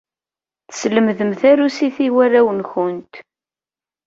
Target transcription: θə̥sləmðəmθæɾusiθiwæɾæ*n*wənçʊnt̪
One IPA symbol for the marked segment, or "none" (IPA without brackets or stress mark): none